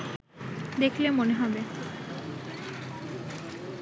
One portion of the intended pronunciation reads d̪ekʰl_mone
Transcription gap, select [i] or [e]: e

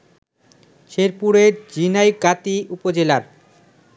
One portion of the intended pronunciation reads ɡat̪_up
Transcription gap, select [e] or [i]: i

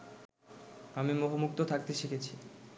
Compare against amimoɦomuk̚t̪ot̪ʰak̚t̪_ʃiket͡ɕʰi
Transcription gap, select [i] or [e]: e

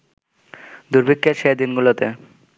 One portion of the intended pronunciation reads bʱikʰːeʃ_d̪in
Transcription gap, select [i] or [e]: e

